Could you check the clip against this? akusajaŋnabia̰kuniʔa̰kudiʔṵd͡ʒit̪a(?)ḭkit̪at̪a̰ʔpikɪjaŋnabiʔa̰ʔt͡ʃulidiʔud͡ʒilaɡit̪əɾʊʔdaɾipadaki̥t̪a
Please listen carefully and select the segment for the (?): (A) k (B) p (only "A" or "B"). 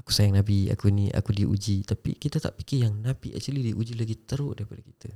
B